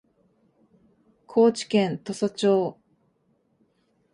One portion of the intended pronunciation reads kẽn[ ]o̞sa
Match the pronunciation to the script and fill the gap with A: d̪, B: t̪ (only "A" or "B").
B